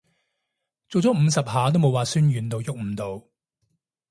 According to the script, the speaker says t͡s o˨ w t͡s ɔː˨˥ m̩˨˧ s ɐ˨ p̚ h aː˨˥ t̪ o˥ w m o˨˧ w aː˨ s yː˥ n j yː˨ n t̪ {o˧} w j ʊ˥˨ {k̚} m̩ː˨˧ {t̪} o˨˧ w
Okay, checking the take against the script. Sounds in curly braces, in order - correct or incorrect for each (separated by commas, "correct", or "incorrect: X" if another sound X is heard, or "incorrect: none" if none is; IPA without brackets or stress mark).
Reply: correct, correct, correct